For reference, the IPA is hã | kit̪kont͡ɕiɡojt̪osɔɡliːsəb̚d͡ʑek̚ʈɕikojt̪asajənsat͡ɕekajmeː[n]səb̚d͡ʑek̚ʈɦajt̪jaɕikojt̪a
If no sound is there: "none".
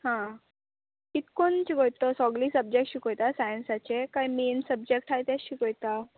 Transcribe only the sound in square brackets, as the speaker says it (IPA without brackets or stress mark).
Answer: n